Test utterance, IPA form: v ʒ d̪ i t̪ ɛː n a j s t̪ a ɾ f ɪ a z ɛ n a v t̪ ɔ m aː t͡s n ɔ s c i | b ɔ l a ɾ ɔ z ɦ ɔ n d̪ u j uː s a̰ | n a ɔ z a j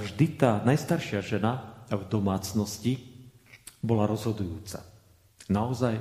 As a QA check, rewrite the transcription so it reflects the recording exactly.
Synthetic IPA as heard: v ʒ d̪ i t̪ aː n a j s t̪ a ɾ ʃ ɪ a ʒ ɛ n a v d̪ ɔ m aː t͡s n ɔ s c i | b ɔ l a ɾ ɔ z ɦ ɔ d̪ u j uː t͡s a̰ | n a ɔ z a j